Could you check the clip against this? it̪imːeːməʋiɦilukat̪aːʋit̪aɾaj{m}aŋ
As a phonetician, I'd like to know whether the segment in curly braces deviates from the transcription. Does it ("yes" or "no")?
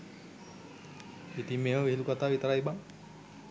yes